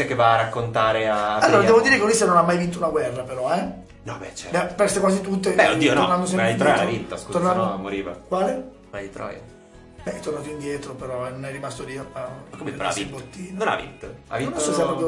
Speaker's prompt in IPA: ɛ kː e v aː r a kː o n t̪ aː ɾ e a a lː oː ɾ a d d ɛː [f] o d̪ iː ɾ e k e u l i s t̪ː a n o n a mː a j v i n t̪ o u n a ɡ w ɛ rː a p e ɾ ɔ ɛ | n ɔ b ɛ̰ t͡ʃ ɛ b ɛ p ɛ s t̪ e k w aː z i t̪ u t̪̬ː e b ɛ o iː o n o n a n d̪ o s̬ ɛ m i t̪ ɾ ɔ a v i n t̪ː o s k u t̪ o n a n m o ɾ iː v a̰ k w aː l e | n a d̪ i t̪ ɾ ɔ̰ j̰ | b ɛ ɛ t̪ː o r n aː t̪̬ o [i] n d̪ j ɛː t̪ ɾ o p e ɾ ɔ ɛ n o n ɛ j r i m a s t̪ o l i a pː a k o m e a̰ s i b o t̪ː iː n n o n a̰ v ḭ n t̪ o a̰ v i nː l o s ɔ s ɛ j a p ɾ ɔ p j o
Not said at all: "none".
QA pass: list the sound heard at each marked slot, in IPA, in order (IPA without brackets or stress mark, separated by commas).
v, i